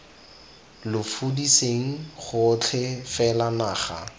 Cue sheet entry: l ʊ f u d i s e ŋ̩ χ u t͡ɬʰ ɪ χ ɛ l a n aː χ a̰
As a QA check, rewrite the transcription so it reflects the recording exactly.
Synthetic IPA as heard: l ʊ f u d i s e ŋ̩ χ ʊ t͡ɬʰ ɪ f ɛ l a n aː χ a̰